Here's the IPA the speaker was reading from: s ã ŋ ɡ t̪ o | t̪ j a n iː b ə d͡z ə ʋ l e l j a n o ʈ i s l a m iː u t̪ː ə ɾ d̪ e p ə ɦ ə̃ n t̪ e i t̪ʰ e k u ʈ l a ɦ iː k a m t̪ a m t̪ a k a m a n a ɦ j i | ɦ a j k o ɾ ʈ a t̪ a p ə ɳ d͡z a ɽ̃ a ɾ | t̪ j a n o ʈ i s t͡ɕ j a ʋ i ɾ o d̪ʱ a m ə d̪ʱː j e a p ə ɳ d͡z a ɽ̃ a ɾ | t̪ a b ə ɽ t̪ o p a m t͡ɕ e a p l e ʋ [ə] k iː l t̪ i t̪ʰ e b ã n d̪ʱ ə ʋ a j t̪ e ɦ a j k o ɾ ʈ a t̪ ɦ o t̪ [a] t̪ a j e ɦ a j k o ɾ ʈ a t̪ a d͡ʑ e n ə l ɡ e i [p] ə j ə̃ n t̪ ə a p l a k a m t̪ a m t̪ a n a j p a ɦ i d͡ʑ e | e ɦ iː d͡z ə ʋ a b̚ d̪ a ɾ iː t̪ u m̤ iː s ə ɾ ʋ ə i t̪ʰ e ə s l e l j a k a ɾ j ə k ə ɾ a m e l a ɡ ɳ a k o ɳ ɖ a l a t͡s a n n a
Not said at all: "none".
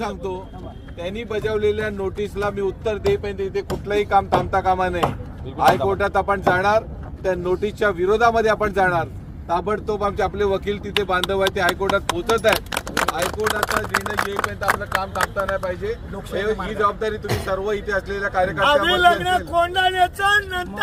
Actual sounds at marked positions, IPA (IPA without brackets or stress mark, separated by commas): ə, ə, p